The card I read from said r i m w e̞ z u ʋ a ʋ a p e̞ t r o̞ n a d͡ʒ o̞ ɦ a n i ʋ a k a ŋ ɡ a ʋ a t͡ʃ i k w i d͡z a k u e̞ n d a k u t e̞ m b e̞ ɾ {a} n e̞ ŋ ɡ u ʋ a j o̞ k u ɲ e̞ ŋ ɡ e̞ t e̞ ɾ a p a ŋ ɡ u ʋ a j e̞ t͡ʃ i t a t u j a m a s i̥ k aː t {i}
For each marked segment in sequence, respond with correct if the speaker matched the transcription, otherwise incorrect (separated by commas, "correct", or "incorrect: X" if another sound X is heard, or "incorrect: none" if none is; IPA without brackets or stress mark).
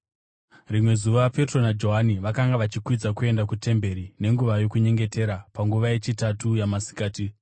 incorrect: i, correct